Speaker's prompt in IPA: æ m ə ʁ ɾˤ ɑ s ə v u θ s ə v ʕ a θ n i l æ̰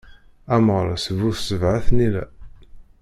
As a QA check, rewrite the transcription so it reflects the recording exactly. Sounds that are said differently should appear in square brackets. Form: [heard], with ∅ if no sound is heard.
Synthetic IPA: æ m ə ʁ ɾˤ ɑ s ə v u θ s ə v ʕ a θ n i l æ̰

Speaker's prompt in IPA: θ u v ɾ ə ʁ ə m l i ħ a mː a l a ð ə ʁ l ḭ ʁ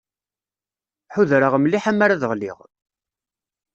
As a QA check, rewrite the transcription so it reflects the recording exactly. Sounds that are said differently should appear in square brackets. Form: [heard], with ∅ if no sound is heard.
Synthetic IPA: [ħ] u [ð] ɾ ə ʁ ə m l i ħ a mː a [ɾ] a ð ə ʁ l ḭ ʁ

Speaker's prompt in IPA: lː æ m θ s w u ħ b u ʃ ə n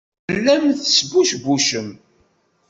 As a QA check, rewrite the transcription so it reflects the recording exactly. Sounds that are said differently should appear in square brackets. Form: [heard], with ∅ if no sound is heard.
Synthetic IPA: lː æ m θ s [b] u [ʃ] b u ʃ ə [m]

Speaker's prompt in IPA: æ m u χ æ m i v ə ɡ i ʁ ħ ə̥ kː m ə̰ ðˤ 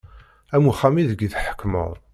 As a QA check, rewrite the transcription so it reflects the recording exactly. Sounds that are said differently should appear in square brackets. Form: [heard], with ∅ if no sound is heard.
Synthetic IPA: æ m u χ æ m i [ð] ə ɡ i [ð] ħ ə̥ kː m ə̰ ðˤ

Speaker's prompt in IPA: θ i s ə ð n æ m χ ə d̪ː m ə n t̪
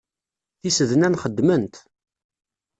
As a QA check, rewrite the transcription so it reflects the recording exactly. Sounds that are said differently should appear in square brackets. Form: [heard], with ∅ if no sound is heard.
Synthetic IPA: θ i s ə ð n æ [n] χ ə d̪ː m ə n t̪

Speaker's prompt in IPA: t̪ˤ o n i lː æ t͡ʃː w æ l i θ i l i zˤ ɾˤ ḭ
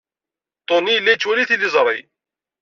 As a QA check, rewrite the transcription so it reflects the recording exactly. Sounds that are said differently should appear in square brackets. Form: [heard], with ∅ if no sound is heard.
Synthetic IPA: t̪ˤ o n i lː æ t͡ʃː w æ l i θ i l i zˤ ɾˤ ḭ

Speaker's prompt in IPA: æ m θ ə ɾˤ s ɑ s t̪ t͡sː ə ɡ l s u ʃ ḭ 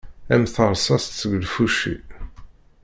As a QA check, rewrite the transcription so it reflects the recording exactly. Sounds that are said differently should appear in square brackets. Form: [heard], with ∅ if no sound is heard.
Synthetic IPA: æ m θ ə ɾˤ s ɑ s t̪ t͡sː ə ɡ l [f] u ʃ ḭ

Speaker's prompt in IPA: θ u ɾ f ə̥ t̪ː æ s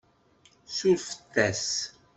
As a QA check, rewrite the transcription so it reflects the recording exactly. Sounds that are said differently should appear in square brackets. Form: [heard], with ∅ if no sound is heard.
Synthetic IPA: [s] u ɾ f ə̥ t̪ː æ s

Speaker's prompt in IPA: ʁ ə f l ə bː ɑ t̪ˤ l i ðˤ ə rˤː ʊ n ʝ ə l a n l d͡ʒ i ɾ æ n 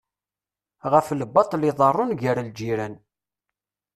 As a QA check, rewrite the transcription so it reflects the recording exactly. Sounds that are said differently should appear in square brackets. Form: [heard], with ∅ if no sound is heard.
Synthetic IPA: ʁ ə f l ə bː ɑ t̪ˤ l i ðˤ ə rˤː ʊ n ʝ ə [ɾ] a [∅] l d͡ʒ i ɾ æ n

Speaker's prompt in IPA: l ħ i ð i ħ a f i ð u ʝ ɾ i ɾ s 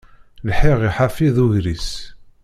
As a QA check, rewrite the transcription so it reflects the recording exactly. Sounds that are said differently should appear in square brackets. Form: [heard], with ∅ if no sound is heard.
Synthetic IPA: l ħ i [ʁ] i ħ a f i ð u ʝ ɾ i [∅] s

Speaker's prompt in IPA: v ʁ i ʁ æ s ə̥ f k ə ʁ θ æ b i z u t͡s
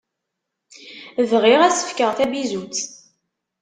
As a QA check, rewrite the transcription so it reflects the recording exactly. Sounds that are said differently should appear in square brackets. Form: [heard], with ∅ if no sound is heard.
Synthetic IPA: v ʁ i ʁ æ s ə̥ f k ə ʁ θ æ b i z u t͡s

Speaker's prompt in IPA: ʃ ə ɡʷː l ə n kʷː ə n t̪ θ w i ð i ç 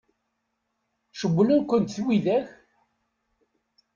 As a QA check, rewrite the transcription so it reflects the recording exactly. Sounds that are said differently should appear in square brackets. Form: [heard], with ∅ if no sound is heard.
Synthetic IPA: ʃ ə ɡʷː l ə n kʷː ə n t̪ θ w i ð [æ] ç

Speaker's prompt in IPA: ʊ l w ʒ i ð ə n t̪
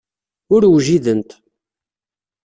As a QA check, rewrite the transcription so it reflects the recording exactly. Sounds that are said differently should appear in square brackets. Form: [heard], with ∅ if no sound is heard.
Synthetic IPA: ʊ [ɾ] w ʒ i ð ə n t̪

